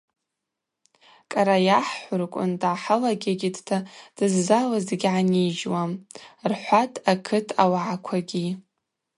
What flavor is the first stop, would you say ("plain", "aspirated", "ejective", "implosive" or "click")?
ejective